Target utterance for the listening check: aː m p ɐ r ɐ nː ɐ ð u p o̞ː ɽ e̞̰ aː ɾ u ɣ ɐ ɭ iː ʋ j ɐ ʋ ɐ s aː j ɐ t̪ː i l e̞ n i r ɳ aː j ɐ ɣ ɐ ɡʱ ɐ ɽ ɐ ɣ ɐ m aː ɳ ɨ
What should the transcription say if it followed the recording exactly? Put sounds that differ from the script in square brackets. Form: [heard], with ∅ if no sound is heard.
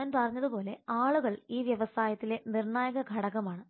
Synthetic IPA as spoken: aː [n] p ɐ r ɐ [ɲː] ɐ ð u p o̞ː [l] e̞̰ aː [ɭ] u ɣ ɐ ɭ iː ʋ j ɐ ʋ ɐ s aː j ɐ t̪ː i l e̞ n i r ɳ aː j ɐ ɣ ɐ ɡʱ ɐ ɽ ɐ ɣ ɐ m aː ɳ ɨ